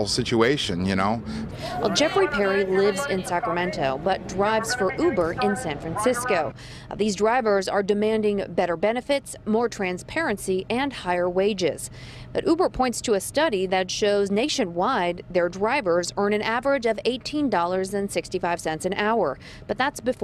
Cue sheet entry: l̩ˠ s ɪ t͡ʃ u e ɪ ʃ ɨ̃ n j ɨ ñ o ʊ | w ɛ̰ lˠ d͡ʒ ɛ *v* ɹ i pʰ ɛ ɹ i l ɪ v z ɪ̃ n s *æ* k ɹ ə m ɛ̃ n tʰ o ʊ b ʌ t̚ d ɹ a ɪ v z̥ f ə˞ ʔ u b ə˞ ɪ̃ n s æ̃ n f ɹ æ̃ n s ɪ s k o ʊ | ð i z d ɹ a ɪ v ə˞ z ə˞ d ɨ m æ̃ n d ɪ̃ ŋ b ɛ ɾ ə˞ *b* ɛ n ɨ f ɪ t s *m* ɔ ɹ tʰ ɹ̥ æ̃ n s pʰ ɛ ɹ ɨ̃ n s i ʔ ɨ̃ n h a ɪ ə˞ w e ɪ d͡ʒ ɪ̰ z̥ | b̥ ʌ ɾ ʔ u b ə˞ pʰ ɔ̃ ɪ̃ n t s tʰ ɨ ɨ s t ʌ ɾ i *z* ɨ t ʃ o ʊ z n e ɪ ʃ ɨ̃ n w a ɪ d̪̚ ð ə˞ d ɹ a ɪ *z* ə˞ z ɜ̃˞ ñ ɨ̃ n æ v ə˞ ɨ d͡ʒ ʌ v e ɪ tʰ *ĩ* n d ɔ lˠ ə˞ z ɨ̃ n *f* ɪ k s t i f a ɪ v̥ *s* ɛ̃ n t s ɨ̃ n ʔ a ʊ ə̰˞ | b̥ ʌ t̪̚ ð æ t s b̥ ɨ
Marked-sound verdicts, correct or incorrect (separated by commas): incorrect, correct, correct, correct, incorrect, incorrect, correct, incorrect, correct